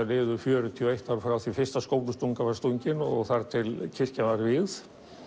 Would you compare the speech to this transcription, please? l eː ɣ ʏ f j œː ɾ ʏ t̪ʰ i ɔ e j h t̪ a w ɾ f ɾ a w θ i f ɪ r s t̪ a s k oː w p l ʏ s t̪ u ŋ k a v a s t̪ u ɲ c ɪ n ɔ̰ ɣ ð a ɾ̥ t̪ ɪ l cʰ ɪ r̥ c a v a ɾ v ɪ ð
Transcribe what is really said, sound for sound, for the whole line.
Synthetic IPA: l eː ð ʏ f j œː ɾ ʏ t̪ʰ i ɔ e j h t̪ a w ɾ f ɾ a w θ i f ɪ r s t̪ a s k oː w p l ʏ s t̪ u ŋ k a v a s t̪ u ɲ c ɪ n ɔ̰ ɣ θ a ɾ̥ t̪ʰ ɪ l cʰ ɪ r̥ c a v a ɾ v ɪ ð